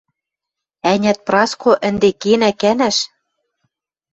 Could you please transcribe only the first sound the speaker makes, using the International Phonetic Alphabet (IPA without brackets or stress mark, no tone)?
æ